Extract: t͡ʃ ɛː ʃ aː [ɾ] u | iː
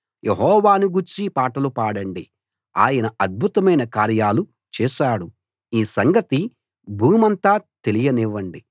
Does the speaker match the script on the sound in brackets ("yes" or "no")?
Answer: no